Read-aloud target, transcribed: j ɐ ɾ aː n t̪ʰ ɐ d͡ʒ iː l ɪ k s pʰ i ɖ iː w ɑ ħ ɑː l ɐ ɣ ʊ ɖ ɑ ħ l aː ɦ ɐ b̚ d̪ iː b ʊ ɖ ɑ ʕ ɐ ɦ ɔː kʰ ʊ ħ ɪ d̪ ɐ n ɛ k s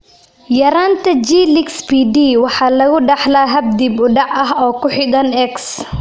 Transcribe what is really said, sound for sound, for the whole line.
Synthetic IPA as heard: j ɐ ɾ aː n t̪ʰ ɐ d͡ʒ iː l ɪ k s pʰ i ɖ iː w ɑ ħ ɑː l ɐ ɣ ʊ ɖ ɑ ħ l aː ɦ ɐ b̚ d̪ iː b ʊ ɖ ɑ ʕ ɐ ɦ ɔː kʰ ʊ ħ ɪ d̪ ɐ n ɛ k s